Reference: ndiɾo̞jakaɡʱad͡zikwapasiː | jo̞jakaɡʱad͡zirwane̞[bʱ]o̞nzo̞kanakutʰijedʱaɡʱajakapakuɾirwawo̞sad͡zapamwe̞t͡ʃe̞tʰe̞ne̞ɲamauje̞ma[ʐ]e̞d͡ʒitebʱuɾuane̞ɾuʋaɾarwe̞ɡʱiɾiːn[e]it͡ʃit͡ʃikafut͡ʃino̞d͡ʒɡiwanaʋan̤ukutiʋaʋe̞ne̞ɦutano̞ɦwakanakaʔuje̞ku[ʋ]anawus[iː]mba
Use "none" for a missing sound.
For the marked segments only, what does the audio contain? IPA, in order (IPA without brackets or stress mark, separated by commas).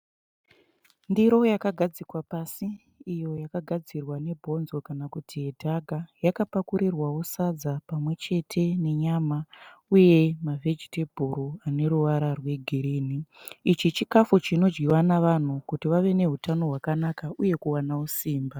bʱ, v, i, w, iː